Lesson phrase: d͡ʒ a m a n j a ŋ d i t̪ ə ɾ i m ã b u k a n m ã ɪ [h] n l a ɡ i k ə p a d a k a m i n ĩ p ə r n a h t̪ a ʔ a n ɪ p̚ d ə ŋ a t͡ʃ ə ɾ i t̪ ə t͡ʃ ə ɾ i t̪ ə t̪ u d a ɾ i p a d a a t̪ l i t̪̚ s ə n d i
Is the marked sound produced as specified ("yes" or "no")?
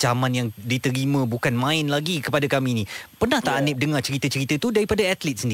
no